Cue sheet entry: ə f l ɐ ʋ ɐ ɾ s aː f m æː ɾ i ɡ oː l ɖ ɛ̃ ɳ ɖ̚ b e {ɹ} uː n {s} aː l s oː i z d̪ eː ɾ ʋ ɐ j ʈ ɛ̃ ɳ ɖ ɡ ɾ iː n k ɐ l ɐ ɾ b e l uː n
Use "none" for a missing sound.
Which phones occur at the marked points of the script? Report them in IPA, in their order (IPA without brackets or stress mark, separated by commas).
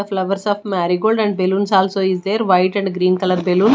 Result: l, s